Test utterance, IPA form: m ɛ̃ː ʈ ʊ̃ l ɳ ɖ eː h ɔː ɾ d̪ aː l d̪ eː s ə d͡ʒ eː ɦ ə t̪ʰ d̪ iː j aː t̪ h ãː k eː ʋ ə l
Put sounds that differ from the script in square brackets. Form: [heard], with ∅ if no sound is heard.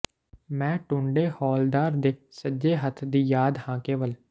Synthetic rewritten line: m ɛ̃ː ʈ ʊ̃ [∅] ɳ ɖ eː h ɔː [l] d̪ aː [ɾ] d̪ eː s ə d͡ʒ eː ɦ ə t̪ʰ d̪ iː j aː [d̪] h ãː k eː ʋ ə l